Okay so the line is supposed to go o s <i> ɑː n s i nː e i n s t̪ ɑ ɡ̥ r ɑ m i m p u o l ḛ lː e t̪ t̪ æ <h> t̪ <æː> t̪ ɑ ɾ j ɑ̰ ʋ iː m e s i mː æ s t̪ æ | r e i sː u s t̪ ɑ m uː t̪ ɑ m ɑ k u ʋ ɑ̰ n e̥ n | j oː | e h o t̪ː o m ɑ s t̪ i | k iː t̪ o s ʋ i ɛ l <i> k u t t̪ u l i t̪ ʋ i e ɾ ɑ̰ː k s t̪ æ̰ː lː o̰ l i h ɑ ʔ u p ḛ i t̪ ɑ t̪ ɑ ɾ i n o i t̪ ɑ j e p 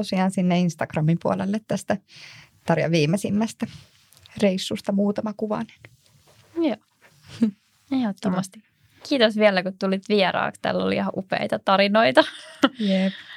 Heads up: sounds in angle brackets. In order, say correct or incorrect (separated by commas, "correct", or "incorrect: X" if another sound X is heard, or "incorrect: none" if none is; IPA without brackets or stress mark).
correct, incorrect: s, incorrect: æ, incorrect: æ